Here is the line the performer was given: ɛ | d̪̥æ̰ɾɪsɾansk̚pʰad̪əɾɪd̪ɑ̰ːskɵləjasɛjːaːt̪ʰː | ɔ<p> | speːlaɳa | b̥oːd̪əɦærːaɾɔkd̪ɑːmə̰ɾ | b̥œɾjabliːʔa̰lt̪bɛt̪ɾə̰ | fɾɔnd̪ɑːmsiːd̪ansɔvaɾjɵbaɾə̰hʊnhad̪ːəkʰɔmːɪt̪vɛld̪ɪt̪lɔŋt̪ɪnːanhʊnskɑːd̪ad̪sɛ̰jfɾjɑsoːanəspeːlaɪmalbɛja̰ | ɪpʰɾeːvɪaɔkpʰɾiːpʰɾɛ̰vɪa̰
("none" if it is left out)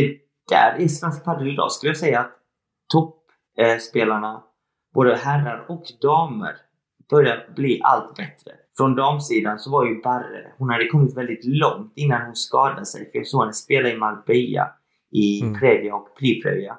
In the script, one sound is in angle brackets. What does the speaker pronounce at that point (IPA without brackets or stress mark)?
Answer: p